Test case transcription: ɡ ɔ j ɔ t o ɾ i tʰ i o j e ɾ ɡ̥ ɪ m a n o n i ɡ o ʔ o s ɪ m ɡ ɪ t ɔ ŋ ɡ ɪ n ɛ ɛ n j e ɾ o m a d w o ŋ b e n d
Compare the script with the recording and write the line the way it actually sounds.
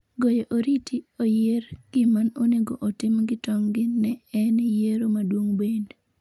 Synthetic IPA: ɡ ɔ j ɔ ʔ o ɾ i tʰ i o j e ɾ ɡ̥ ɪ m a n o n e ɡ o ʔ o t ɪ m ɡ ɪ t ɔ ŋ ɡ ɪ n ɛ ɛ n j e ɾ o m a d w o ŋ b e n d